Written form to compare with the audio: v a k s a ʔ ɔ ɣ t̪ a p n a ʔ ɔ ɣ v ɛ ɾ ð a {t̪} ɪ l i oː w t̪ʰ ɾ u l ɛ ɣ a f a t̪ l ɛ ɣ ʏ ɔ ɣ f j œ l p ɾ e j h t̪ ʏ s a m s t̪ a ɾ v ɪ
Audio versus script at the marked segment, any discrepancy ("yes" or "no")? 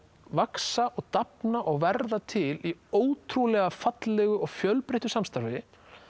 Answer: yes